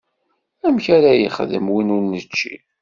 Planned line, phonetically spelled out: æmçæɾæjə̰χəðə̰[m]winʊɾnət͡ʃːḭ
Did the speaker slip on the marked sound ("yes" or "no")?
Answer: no